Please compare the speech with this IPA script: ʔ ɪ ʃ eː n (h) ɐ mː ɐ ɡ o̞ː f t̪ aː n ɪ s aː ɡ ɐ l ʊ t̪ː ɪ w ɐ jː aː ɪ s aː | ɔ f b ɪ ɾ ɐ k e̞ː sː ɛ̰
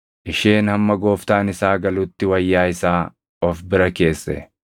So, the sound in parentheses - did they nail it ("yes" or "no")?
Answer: yes